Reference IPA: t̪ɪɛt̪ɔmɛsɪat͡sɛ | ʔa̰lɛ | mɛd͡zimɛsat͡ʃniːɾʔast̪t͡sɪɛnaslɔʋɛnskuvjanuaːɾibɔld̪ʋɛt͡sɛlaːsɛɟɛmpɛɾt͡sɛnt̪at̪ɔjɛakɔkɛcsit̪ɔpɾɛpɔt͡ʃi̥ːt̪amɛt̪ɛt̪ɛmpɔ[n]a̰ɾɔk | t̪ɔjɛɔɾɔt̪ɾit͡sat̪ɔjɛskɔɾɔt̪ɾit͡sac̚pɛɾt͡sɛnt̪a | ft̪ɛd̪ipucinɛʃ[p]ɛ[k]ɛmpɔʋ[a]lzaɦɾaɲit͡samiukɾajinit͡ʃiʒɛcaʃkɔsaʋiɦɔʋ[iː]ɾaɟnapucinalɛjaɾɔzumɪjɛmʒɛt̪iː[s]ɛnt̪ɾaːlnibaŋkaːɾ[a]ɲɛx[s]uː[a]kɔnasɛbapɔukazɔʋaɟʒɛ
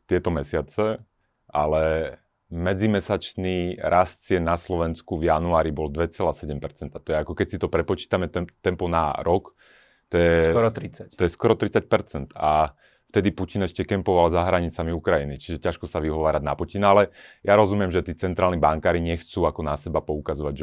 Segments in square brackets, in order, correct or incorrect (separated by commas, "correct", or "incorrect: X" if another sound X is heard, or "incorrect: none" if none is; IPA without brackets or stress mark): correct, incorrect: c, correct, correct, incorrect: aː, incorrect: t͡s, incorrect: i, incorrect: t͡s, correct